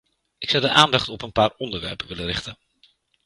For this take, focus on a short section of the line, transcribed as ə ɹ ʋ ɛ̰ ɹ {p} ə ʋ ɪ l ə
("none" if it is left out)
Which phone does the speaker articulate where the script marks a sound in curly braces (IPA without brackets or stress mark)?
p